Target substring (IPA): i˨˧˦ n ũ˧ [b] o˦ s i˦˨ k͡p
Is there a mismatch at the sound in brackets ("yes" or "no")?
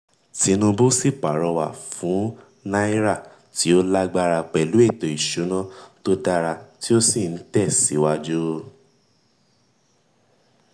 no